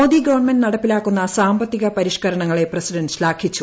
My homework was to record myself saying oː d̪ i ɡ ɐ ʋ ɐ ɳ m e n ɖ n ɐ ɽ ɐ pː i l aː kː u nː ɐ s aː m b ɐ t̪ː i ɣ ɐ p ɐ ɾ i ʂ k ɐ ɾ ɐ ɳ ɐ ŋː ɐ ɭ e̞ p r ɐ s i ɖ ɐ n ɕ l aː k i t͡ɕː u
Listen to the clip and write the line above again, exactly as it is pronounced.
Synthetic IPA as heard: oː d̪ i ɡ ɐ ʋ ɐ ɳ m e n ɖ n ɐ ɽ ɐ pː i l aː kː u nː ɐ s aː m b ɐ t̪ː i ɣ ɐ p ɐ ɾ i ʂ k ɐ ɾ ɐ ɳ ɐ ŋː ɐ ɭ e̞ p r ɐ s i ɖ ɐ n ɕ l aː kʰ i t͡ɕː u

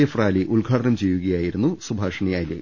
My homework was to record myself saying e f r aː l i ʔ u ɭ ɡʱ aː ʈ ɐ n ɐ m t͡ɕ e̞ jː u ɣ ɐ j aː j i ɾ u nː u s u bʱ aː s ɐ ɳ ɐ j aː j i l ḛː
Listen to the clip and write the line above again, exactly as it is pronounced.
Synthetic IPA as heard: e f r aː l i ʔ u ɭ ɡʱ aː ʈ ɐ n ɐ m t͡ɕ e̞ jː u ɣ ɐ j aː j i ɾ u nː u s u bʱ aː ʂ ɐ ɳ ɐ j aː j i l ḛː

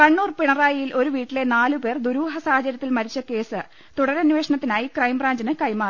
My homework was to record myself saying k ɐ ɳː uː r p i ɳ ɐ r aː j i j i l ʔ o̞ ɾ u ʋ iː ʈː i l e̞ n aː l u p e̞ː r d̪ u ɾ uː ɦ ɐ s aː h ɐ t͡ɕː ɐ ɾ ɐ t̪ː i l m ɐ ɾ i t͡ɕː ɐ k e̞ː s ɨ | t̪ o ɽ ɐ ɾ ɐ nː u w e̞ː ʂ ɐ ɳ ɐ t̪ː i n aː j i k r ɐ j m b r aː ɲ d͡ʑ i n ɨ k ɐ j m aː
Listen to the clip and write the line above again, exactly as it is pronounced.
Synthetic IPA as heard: k ɐ ɳː uː r p i ɳ ɐ r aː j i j i l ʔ o̞ ɾ u ʋ iː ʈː i l e̞ n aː l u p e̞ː r d̪ u ɾ uː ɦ ɐ s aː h ɐ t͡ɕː ɐ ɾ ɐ t̪ː i l m ɐ ɾ i t͡ɕː ɐ k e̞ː s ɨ | t̪ u ɽ ɐ ɾ ɐ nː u ʋ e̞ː ʂ ɐ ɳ ɐ t̪ː i n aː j i k r ɐ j m b r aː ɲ d͡ʑ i n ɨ k ɐ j m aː

